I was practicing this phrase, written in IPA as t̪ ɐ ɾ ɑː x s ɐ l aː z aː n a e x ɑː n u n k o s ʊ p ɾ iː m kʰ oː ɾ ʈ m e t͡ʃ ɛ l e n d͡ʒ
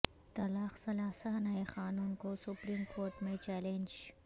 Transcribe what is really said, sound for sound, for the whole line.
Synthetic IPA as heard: t̪ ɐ l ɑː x s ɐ l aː s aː n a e x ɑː n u n k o s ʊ p ɾ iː m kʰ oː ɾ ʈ m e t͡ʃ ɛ l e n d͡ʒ